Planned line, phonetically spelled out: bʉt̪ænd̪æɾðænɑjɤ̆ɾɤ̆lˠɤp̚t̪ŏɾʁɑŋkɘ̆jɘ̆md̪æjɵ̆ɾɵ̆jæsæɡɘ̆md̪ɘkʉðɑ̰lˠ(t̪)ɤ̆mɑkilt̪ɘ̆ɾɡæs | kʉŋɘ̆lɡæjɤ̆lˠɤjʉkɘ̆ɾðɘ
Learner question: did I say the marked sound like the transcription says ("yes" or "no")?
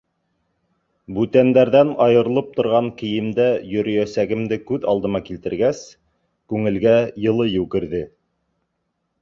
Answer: no